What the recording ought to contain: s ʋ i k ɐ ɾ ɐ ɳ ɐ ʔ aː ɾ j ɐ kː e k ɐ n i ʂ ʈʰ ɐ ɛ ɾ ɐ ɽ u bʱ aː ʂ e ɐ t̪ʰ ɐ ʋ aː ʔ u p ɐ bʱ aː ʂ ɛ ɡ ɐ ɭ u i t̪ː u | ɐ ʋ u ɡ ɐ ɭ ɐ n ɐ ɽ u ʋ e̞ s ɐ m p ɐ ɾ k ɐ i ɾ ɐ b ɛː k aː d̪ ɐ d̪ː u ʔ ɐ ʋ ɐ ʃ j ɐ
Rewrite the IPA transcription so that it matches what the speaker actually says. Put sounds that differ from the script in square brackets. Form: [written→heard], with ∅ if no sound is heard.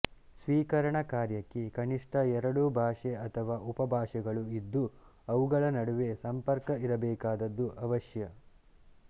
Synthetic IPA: s ʋ [i→iː] k ɐ ɾ ɐ ɳ ɐ [ʔ→k] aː ɾ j ɐ kː e k ɐ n i ʂ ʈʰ ɐ ɛ ɾ ɐ ɽ u bʱ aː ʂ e ɐ t̪ʰ ɐ ʋ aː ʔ u p ɐ bʱ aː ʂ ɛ ɡ ɐ ɭ u i [t̪ː→d̪ː] u | ɐ ʋ u ɡ ɐ ɭ ɐ n ɐ ɽ u ʋ e̞ s ɐ m p ɐ ɾ k ɐ i ɾ ɐ b ɛː k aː d̪ ɐ d̪ː u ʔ ɐ ʋ ɐ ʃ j ɐ

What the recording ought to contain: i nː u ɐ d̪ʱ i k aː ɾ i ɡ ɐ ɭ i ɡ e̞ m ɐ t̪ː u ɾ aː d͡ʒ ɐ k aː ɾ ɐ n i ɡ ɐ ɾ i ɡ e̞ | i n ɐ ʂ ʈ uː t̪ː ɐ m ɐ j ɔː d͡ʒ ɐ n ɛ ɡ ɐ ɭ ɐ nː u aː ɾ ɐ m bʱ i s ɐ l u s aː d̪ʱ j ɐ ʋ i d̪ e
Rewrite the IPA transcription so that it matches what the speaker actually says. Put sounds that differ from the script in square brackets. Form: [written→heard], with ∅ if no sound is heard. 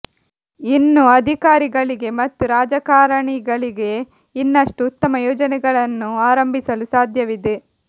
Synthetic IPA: i nː u ɐ d̪ʱ i k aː ɾ i ɡ ɐ ɭ i ɡ e̞ m ɐ t̪ː u ɾ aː d͡ʒ ɐ k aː ɾ ɐ [n→ɳ] i ɡ ɐ [ɾ→ɭ] i ɡ e̞ | i [n→nː] ɐ ʂ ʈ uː t̪ː ɐ m ɐ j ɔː d͡ʒ ɐ n ɛ ɡ ɐ ɭ ɐ nː u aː ɾ ɐ m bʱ i s ɐ l u s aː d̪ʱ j ɐ ʋ i d̪ e

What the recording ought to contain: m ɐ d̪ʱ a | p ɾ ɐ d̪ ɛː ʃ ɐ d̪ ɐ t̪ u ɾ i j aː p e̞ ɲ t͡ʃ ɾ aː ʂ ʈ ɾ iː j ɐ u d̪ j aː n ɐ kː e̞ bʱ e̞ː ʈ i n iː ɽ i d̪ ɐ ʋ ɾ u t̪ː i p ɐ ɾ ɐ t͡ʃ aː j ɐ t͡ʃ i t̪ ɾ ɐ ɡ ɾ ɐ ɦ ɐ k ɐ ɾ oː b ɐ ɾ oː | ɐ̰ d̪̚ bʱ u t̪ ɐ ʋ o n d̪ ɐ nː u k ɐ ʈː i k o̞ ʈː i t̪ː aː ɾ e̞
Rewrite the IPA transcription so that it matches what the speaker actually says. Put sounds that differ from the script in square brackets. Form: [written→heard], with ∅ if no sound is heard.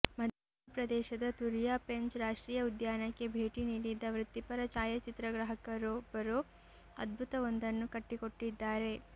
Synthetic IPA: m ɐ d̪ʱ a | p ɾ ɐ d̪ ɛː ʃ ɐ d̪ ɐ t̪ u ɾ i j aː p e̞ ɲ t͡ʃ ɾ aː ʂ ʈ ɾ iː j ɐ u d̪ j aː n ɐ kː e̞ bʱ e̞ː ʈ i n iː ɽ i d̪ ɐ ʋ ɾ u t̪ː i p ɐ ɾ ɐ t͡ʃ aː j ɐ t͡ʃ i t̪ ɾ ɐ ɡ ɾ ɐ ɦ ɐ k ɐ ɾ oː b ɐ ɾ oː | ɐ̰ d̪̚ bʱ u t̪ ɐ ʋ o n d̪ ɐ nː u k ɐ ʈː i k o̞ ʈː i [t̪ː→d̪ː] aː ɾ e̞

